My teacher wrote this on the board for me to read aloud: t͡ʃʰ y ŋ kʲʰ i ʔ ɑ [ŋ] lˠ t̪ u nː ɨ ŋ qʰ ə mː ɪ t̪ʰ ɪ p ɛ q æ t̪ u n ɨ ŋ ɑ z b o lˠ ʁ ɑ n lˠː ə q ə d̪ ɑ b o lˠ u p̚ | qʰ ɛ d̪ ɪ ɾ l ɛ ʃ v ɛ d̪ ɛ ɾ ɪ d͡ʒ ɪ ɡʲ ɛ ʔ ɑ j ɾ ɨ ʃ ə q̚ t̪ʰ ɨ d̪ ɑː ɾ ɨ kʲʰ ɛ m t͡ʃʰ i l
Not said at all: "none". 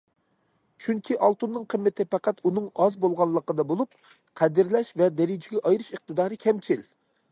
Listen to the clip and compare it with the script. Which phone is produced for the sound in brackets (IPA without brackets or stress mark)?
none